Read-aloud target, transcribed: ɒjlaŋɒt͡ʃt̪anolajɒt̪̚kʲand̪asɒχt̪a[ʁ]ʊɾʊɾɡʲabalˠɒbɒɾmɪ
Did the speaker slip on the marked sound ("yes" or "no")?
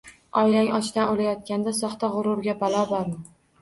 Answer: no